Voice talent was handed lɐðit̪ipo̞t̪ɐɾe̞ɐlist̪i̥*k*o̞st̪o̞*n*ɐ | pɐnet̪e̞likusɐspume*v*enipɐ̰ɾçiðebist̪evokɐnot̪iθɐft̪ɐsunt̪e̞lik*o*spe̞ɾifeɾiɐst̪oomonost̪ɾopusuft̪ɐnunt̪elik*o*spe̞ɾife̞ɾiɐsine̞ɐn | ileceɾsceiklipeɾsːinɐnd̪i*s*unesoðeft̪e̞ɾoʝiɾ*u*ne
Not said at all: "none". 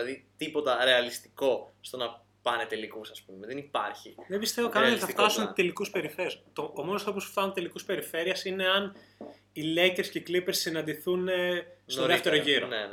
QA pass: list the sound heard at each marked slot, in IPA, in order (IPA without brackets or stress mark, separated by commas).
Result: k, n, ð, u, u, θ, o